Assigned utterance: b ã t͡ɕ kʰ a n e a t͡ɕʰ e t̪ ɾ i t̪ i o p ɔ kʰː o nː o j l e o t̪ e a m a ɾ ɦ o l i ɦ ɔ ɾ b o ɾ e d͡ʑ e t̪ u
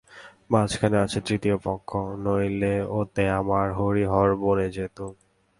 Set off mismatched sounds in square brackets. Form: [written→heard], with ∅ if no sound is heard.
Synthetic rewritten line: b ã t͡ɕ kʰ a n e a t͡ɕʰ e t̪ ɾ i t̪ i o p ɔ kʰː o [nː→n] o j l e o t̪ e a m a ɾ ɦ o [l→ɾ] i ɦ ɔ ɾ b o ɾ e d͡ʑ e t̪ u